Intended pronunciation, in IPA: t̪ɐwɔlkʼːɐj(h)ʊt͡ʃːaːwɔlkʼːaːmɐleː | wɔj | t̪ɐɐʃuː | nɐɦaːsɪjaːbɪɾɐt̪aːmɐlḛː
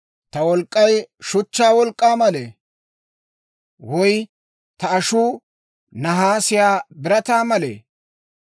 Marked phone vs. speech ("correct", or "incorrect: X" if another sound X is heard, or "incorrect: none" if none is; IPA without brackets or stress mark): incorrect: ʃ